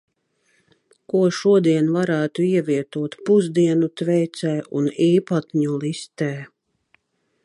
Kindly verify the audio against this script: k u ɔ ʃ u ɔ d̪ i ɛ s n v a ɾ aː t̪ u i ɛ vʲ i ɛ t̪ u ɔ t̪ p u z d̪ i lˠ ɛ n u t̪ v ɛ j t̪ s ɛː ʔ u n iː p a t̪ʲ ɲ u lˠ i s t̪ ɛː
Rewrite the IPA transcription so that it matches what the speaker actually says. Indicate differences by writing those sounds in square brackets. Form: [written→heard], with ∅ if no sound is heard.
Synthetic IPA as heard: k u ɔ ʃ u ɔ d̪ i ɛ [s→∅] n v a ɾ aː t̪ u i ɛ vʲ i ɛ t̪ u ɔ t̪ p u z d̪ i [lˠ→∅] ɛ n u t̪ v ɛ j t̪ s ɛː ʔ u n iː p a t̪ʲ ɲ u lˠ i s t̪ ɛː